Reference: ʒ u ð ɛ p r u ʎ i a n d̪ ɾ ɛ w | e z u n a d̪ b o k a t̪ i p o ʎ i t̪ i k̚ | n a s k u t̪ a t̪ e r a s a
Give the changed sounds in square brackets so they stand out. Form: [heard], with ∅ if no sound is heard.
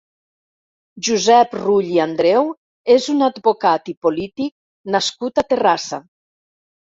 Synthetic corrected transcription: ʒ u [z] ɛ p r u ʎ i a n d̪ ɾ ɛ w | e z u n a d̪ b o k a t̪ i p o [l] i t̪ i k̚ | n a s k u t̪ a t̪ e r a s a